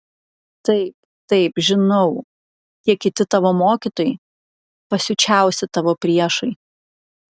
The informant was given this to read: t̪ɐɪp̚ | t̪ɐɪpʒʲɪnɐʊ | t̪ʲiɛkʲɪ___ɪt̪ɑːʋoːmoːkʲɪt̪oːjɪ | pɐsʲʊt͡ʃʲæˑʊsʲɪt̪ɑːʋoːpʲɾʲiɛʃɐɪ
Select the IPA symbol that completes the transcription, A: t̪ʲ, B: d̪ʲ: A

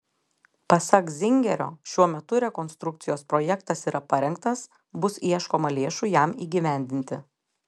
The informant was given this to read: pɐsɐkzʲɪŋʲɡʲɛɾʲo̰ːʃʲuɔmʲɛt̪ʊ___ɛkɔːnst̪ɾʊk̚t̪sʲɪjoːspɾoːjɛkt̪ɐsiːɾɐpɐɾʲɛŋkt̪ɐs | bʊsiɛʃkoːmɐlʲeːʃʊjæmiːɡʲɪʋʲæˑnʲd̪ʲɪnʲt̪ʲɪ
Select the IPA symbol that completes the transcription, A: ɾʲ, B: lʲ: A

